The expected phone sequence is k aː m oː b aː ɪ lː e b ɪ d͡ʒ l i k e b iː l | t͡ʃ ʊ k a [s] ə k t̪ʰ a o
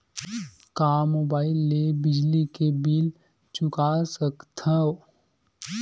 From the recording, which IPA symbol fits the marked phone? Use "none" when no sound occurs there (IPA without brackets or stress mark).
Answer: s